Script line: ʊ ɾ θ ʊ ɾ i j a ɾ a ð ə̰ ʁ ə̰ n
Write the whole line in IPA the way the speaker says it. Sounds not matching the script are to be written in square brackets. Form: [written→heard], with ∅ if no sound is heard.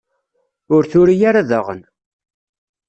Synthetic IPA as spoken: ʊ ɾ θ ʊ ɾ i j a ɾ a ð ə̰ ʁ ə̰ n